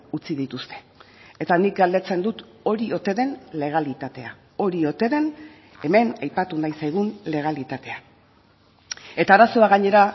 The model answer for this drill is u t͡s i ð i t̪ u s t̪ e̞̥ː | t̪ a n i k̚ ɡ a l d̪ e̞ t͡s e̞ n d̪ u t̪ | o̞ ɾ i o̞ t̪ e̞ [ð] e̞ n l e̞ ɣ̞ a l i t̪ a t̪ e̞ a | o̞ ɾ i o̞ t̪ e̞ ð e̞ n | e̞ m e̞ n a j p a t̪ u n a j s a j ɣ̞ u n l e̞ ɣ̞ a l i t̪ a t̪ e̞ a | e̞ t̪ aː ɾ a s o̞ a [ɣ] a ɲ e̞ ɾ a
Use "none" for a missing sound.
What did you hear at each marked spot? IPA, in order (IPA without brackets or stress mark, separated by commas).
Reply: ð, ɣ